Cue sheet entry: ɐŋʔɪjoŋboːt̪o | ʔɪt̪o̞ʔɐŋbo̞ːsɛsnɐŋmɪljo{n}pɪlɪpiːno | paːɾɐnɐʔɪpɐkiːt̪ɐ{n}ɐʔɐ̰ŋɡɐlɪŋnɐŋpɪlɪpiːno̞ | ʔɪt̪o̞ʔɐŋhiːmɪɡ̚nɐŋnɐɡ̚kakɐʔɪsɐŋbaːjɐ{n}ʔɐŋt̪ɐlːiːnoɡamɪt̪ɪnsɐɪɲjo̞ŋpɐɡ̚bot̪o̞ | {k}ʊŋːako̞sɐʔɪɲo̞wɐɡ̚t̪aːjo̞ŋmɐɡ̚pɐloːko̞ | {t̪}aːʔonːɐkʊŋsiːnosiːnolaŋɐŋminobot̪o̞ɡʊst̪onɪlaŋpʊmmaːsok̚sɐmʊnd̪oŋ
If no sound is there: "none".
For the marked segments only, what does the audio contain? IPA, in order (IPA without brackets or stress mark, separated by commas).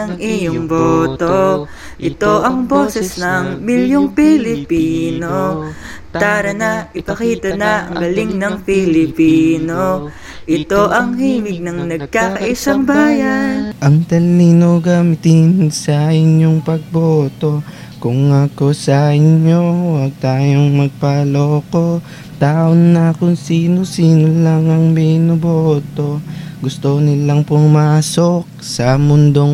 ŋ, n, n, k, t̪